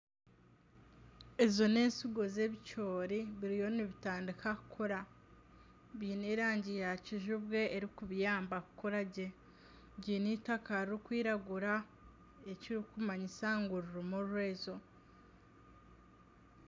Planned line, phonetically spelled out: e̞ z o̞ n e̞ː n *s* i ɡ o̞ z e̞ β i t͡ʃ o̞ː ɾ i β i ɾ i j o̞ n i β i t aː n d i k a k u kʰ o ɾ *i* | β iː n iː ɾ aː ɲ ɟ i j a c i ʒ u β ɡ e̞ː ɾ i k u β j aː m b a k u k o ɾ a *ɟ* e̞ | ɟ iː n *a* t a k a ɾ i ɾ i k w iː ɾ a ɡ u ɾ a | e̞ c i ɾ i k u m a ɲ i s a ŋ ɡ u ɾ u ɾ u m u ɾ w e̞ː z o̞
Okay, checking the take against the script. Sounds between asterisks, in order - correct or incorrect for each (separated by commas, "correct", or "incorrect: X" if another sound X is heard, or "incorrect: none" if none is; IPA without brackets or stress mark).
correct, incorrect: a, correct, incorrect: i